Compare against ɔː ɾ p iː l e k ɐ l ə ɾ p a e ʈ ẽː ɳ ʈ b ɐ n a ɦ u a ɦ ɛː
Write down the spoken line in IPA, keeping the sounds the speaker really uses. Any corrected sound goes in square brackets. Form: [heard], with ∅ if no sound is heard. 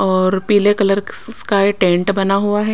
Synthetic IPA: ɔː ɾ p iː l e k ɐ l ə ɾ [k] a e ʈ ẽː ɳ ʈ b ɐ n a ɦ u a ɦ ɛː